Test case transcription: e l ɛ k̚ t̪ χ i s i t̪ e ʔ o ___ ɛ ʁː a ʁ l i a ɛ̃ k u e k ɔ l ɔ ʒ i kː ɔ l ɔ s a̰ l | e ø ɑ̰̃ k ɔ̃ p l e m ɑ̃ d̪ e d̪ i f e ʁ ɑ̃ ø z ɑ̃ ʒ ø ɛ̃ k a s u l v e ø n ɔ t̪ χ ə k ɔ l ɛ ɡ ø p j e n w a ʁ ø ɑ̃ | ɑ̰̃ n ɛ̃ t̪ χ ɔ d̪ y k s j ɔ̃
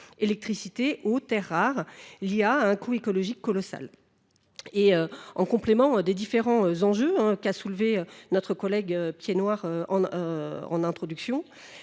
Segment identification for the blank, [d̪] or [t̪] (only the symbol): t̪